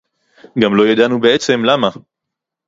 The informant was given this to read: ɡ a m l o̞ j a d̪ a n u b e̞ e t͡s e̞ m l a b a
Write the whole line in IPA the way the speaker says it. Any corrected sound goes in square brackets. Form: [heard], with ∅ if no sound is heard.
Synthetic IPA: ɡ a m l o̞ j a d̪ a n u b e̞ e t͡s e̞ m l a [m] a